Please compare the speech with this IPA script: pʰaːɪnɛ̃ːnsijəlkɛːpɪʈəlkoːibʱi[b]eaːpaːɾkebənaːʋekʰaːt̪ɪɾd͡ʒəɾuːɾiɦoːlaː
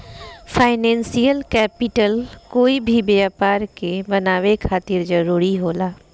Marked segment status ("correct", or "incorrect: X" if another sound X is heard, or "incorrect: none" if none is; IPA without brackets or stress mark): correct